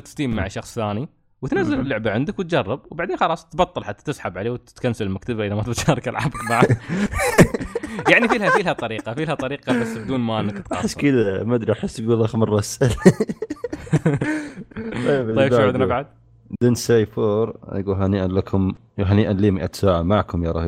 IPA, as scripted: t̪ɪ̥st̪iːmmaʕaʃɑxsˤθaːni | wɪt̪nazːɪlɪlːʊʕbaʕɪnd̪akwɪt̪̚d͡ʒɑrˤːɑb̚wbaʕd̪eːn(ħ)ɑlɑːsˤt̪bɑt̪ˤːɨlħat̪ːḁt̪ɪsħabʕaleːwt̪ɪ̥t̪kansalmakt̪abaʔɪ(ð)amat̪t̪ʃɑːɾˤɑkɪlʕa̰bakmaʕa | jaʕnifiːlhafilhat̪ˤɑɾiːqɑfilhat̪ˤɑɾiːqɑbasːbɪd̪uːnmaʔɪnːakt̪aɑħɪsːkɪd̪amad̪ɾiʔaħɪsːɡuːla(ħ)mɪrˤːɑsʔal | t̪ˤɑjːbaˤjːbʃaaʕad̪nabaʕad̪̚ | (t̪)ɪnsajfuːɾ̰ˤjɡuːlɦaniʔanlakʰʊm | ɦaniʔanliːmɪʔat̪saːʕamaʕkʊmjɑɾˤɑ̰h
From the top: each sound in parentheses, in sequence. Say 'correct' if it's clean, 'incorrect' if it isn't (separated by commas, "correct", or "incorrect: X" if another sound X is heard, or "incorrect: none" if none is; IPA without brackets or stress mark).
incorrect: x, correct, incorrect: x, incorrect: d̪